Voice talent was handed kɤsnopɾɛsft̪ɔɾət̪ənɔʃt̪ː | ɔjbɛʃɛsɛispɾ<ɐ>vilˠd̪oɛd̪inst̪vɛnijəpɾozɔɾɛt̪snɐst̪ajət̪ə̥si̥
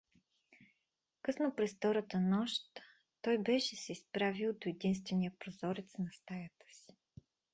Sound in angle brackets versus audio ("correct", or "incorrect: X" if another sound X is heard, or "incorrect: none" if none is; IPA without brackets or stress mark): incorrect: a